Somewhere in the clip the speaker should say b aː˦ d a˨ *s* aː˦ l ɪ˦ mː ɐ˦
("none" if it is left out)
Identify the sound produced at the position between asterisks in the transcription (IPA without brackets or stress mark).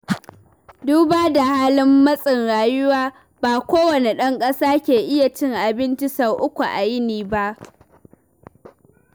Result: h